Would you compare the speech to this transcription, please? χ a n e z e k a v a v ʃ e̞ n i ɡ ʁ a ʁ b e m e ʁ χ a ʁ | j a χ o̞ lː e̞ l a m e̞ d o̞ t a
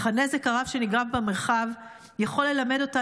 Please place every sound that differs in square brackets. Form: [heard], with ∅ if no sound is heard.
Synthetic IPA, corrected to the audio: χ a n e z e k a [ʁ] a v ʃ e̞ n i ɡ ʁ a [v] b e m e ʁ χ a [v] | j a χ o̞ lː e̞ l a m e̞ d o̞ t a